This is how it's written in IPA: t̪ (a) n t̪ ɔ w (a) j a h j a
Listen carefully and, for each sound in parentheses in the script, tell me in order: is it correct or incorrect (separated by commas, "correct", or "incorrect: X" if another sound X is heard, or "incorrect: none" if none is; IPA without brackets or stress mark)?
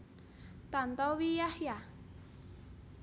correct, incorrect: i